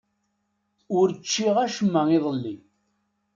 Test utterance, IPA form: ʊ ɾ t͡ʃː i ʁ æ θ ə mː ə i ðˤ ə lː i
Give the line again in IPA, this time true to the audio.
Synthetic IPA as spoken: ʊ ɾ t͡ʃː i ʁ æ ʃ ə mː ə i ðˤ ə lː i